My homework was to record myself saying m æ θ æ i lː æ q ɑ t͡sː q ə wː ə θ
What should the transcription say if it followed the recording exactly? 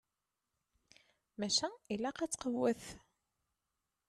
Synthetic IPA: m æ ʃ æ i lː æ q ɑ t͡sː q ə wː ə θ